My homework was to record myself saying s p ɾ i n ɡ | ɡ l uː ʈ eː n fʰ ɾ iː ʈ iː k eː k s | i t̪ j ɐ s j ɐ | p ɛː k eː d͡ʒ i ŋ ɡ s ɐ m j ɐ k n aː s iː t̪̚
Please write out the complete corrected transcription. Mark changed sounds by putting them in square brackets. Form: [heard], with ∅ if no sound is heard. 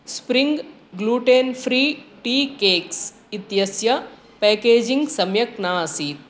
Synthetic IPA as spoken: s p ɾ i [ŋ] ɡ | ɡ l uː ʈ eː n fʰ ɾ iː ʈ iː k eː k s | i t̪ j ɐ s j ɐ | p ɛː k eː d͡ʒ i ŋ ɡ s ɐ m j ɐ k n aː s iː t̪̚